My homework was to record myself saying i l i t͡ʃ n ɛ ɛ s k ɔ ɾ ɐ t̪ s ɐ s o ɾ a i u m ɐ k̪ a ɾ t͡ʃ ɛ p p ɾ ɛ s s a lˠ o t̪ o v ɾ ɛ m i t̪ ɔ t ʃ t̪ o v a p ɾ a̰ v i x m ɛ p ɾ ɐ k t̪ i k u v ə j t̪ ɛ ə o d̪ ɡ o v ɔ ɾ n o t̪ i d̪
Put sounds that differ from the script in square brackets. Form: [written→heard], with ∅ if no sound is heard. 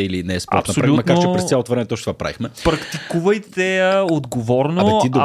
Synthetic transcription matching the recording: i l i [t͡ʃ→∅] n ɛ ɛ s [k→p] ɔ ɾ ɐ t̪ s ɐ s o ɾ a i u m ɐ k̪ a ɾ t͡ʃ ɛ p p ɾ ɛ s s a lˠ o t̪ o v ɾ ɛ m [i→ɛ] t̪ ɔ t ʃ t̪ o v a p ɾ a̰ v i x m ɛ p ɾ ɐ k t̪ i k u v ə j t̪ ɛ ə o d̪ ɡ o v ɔ ɾ n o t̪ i d̪